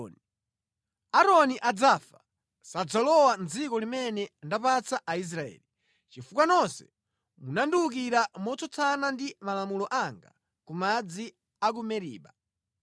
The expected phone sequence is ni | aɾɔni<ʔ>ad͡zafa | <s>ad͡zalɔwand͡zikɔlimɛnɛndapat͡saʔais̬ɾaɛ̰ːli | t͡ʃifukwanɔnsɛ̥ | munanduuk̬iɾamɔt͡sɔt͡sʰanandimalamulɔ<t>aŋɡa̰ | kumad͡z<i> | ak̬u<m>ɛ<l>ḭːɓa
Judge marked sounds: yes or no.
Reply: yes, yes, no, yes, yes, no

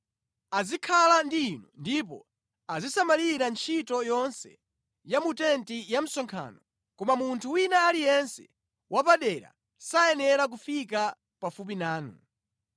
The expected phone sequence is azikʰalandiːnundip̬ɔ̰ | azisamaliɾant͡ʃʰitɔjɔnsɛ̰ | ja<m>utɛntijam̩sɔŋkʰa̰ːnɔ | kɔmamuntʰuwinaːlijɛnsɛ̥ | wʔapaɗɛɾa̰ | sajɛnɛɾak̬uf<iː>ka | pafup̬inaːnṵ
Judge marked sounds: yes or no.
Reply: yes, no

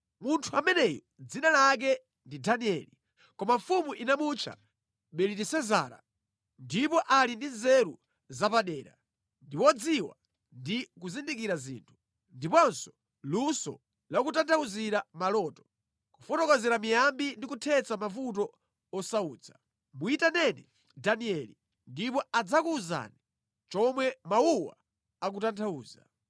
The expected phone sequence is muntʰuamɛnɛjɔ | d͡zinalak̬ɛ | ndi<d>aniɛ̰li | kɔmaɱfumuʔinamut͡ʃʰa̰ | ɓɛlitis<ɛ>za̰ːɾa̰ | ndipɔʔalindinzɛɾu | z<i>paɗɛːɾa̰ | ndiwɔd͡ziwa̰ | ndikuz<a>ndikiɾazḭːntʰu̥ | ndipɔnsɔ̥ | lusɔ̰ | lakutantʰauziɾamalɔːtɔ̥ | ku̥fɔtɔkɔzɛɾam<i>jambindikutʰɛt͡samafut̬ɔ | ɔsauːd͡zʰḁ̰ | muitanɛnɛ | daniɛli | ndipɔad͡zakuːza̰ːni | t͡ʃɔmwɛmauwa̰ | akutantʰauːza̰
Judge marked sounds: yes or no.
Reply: yes, yes, no, no, yes

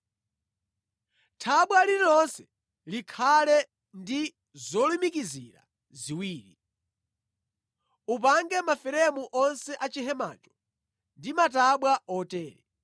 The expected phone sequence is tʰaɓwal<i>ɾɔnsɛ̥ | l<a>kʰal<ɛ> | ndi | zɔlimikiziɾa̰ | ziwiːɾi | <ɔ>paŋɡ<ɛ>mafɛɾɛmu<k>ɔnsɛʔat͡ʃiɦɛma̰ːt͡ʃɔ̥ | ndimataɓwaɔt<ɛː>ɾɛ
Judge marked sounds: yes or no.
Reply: yes, no, yes, no, yes, no, yes

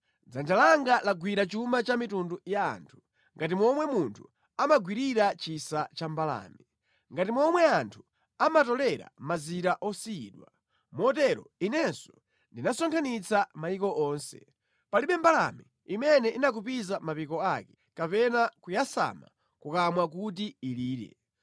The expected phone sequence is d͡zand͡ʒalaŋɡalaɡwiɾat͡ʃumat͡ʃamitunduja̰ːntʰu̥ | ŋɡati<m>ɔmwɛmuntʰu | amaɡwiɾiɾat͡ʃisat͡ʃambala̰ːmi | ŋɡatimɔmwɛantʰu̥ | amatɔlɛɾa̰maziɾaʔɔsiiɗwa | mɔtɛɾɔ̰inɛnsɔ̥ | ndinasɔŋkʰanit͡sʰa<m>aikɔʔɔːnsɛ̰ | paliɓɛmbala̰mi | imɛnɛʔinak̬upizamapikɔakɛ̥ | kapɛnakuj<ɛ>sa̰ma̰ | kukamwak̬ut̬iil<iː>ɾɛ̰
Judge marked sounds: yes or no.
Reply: yes, yes, no, yes

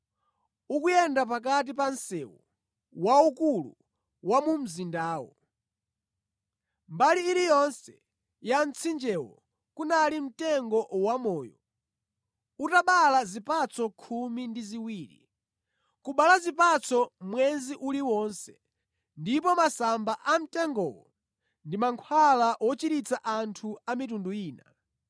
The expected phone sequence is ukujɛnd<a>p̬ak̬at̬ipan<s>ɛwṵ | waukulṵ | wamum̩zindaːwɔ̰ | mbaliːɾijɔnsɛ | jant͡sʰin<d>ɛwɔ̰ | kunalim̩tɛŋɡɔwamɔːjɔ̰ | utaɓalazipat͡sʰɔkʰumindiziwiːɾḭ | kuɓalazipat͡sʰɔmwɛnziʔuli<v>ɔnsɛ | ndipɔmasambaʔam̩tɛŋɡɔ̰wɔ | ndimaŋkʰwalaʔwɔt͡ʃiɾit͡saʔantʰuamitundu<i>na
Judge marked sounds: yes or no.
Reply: yes, yes, no, no, no

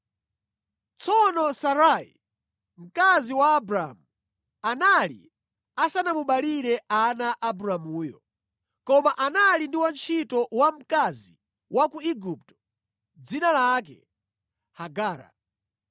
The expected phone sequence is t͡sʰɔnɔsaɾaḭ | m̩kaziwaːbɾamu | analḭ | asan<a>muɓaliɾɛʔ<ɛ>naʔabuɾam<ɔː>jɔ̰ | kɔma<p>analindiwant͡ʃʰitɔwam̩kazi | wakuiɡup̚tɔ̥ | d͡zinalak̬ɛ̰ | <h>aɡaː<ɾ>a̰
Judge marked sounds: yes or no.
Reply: yes, no, no, no, yes, yes

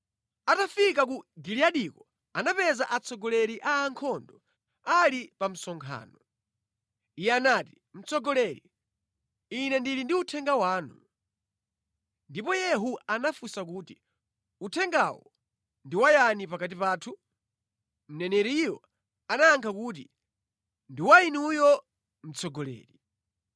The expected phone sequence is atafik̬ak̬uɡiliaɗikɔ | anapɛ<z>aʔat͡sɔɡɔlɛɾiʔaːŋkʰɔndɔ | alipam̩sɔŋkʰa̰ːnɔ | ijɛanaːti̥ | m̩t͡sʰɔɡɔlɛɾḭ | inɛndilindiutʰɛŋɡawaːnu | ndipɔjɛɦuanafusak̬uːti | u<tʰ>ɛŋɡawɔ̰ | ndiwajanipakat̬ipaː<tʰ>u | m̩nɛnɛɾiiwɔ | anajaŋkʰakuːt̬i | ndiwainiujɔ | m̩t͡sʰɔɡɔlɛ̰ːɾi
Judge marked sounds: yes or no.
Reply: yes, yes, yes

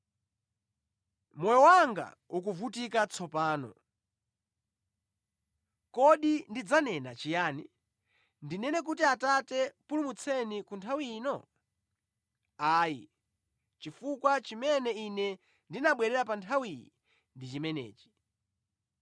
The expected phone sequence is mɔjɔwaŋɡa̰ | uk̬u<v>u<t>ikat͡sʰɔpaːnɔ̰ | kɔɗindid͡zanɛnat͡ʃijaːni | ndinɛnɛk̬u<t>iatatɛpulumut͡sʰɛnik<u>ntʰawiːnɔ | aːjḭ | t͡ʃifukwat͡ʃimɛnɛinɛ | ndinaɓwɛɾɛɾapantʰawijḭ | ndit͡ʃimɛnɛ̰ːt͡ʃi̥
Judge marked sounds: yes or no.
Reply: yes, yes, yes, yes

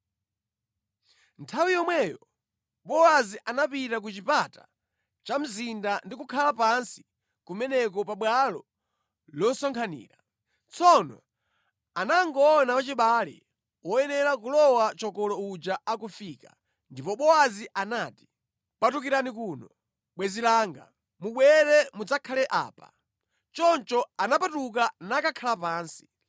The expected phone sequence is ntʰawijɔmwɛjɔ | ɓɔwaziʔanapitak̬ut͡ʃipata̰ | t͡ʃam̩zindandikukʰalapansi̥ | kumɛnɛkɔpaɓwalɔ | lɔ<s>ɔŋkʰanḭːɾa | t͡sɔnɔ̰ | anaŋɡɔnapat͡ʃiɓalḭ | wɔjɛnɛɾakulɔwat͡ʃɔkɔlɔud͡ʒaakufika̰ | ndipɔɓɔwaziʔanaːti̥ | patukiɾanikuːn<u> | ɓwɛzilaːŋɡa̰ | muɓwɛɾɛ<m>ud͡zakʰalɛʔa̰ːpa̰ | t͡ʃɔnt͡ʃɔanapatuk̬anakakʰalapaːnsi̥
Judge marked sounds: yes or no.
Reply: yes, no, yes

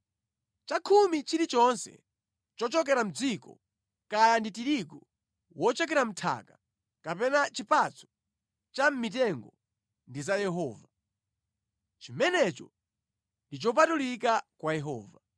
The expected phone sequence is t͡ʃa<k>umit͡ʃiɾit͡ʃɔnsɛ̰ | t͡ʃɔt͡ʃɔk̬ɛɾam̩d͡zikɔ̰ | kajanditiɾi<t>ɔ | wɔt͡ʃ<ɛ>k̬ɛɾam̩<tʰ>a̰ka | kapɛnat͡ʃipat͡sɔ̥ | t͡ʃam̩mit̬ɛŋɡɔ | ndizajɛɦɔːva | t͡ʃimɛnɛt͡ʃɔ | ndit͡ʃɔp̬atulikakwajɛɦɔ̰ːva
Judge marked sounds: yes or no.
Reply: no, no, yes, yes

